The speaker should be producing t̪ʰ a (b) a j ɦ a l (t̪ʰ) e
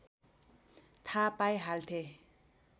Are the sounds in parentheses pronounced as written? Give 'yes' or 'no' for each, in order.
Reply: no, yes

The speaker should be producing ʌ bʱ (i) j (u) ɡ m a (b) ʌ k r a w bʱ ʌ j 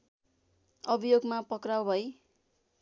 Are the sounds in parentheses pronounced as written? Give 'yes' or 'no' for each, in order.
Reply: yes, no, no

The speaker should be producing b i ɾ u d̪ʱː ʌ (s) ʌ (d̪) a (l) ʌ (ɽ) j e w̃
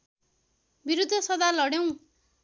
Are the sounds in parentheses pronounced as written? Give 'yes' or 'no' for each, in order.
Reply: yes, yes, yes, yes

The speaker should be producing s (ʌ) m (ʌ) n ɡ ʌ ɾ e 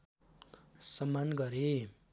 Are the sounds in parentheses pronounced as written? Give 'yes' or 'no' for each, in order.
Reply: yes, no

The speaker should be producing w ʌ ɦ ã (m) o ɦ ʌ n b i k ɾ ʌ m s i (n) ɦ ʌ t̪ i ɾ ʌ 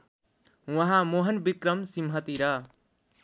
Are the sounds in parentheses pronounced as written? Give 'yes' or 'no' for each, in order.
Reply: yes, no

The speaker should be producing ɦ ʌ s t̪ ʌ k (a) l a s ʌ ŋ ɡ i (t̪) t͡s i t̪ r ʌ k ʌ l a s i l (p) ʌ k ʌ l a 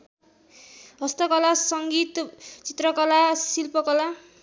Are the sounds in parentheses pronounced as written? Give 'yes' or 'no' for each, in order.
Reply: no, yes, yes

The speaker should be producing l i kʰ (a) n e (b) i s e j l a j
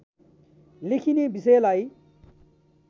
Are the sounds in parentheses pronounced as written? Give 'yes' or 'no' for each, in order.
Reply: no, yes

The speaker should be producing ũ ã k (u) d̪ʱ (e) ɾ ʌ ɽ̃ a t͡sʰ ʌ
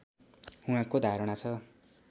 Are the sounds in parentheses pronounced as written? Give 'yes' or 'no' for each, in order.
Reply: no, no

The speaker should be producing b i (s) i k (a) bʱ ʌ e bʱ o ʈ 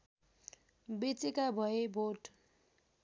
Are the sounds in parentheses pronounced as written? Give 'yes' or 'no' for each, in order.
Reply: no, yes

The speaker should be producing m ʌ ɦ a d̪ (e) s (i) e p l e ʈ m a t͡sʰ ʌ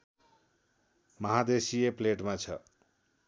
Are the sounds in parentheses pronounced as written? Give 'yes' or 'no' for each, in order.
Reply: yes, yes

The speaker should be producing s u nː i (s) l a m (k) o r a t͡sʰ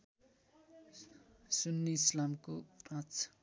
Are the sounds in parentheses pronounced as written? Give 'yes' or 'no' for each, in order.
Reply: yes, yes

